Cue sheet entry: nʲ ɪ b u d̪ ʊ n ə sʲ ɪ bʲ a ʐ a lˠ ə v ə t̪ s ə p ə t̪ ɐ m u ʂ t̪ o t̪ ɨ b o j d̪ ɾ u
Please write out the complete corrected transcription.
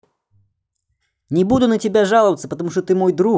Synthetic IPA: nʲ ɪ b u d̪ ʊ n ə tʲ ɪ bʲ a ʐ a lˠ ə v ə t̪ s ə p ə t̪ ɐ m u ʂ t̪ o t̪ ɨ m o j d̪ ɾ u